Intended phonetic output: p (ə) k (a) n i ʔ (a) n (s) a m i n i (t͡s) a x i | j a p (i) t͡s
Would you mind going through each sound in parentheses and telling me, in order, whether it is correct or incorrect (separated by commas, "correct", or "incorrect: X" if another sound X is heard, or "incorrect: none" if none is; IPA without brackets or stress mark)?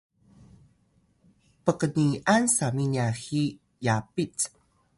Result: correct, incorrect: ə, correct, correct, incorrect: none, correct